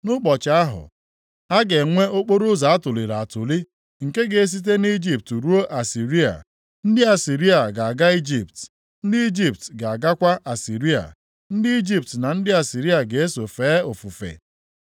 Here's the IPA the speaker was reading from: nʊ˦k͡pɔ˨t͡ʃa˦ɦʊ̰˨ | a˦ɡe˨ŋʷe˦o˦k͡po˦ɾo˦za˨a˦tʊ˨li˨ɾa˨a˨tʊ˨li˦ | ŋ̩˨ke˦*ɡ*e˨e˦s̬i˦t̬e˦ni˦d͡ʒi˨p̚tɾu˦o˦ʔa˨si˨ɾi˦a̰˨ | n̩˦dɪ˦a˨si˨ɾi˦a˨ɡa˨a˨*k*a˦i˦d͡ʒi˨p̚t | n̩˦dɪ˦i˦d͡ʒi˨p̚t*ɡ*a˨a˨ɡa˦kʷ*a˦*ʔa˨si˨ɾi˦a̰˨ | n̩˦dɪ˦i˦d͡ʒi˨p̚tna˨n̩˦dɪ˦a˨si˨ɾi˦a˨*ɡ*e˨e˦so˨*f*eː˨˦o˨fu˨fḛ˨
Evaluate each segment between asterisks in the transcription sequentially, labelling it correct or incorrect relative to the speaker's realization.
correct, incorrect: ɡ, correct, correct, correct, correct

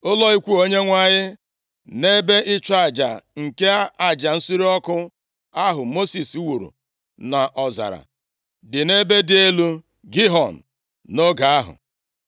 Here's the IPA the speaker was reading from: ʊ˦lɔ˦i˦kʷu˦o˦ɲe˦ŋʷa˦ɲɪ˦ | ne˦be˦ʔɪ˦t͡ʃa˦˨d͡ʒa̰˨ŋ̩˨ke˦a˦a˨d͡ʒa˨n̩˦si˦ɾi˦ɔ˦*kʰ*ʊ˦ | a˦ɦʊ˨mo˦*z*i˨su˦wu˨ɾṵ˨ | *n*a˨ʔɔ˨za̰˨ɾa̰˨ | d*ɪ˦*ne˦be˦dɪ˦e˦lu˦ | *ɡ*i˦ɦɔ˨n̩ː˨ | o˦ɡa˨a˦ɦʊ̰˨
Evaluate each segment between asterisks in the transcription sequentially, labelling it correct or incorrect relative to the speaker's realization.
incorrect: k, incorrect: s, correct, incorrect: ɪ˨, correct

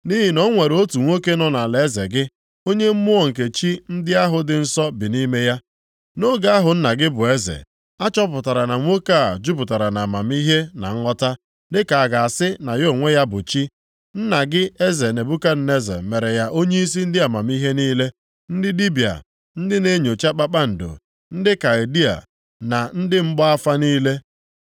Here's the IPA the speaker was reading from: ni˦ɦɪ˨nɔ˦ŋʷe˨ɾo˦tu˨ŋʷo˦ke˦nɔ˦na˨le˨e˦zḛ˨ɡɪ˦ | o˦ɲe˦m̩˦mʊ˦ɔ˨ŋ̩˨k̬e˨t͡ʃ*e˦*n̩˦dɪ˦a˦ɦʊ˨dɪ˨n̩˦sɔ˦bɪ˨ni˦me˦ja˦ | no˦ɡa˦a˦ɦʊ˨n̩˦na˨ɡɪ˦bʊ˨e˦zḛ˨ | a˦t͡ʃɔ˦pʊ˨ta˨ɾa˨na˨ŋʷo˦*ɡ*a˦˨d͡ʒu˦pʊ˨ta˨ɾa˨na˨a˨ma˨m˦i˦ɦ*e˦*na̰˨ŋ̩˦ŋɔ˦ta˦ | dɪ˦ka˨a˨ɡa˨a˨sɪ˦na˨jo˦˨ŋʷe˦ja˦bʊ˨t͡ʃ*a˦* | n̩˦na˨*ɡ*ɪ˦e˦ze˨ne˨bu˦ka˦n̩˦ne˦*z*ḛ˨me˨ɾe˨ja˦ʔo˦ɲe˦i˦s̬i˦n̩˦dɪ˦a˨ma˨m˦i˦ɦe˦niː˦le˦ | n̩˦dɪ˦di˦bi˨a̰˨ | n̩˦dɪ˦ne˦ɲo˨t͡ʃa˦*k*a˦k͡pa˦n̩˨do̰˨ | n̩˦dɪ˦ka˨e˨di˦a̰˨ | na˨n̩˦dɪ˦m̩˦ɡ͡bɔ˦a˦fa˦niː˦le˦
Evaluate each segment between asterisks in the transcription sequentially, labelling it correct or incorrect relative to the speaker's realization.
incorrect: i˦, incorrect: k, correct, incorrect: i˦, correct, correct, incorrect: k͡p

